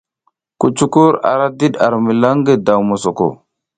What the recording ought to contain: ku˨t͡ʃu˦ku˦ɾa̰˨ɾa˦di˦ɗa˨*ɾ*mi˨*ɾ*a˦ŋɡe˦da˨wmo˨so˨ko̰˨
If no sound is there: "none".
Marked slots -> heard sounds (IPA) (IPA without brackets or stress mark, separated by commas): ɾ, l